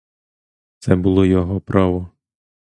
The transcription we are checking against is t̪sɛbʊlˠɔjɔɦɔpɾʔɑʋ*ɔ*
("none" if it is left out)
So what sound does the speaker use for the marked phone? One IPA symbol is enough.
ɔ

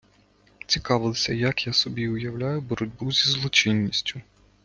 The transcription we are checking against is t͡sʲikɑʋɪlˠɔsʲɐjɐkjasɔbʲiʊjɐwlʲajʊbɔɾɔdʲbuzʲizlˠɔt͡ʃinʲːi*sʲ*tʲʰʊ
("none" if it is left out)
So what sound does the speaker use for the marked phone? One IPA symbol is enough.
sʲ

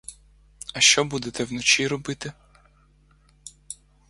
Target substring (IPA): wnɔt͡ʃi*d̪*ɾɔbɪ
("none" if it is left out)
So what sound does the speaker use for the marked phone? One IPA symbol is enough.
none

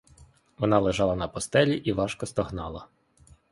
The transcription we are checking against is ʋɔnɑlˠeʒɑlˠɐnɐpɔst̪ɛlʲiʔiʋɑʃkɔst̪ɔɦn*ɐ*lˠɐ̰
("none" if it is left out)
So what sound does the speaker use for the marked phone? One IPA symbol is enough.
ɑ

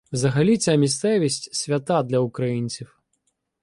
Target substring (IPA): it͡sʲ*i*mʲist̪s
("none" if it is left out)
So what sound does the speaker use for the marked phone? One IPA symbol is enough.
a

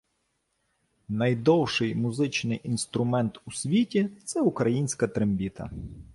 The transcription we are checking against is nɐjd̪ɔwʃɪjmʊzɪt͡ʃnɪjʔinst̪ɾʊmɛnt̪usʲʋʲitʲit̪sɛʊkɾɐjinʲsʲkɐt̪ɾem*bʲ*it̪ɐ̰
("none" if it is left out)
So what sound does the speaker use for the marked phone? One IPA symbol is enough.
bʲ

